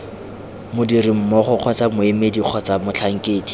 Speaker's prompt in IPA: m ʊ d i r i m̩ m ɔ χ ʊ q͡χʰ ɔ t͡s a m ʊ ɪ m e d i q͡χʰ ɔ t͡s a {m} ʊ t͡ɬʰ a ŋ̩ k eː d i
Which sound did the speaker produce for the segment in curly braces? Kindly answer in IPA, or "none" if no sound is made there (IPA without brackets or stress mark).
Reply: m